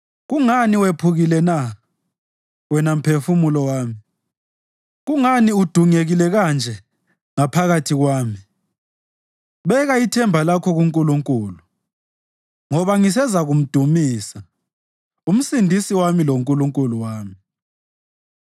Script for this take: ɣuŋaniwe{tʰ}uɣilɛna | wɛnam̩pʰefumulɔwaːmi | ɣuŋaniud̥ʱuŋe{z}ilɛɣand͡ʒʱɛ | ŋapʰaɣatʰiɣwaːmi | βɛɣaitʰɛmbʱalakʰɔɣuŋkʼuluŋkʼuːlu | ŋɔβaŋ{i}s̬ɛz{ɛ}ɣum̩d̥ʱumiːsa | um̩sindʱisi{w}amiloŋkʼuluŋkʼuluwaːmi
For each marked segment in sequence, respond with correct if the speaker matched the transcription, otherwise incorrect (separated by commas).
incorrect, incorrect, correct, incorrect, correct